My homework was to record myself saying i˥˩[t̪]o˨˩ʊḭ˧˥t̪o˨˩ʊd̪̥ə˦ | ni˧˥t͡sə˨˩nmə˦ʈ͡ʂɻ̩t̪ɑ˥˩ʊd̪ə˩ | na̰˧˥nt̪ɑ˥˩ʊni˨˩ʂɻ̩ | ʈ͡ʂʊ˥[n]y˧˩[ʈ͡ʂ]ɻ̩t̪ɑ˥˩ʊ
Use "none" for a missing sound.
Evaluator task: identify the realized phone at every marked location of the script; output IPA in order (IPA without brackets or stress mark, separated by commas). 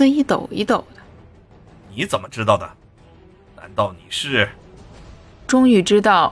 t̪, ŋ, ʈ͡ʂ